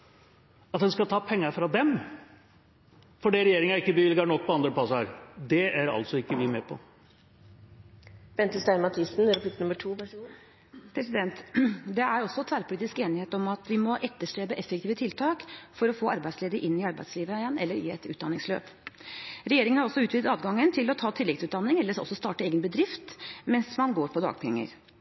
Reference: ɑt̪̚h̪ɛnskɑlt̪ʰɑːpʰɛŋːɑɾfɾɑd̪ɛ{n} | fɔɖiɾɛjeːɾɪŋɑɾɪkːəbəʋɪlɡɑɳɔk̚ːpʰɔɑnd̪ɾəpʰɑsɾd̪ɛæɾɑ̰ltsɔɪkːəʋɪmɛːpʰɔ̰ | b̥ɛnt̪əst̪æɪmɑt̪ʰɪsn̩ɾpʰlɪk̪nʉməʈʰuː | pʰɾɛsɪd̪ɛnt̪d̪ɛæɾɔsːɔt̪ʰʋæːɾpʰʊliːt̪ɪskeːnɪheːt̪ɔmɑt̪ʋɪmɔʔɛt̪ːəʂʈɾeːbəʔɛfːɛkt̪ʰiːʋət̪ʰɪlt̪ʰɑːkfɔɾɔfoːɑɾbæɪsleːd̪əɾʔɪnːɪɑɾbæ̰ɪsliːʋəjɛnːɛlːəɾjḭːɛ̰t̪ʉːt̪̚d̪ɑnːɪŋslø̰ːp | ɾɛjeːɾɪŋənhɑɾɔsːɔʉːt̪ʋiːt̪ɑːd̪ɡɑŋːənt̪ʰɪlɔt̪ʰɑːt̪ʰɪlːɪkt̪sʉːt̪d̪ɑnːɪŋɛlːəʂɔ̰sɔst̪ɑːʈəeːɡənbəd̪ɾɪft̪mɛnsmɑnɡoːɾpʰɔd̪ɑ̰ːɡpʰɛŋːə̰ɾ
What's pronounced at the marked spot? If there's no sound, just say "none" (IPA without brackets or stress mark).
m